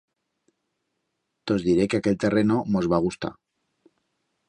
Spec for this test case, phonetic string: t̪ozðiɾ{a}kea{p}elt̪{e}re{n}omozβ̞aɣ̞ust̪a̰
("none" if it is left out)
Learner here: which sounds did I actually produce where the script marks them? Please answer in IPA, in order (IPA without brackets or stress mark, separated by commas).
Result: e, k, e, n